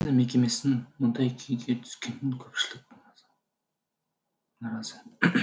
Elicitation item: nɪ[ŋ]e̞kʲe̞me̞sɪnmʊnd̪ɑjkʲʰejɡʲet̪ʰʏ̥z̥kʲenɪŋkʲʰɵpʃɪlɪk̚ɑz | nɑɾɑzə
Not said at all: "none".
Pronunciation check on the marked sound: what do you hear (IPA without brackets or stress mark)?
m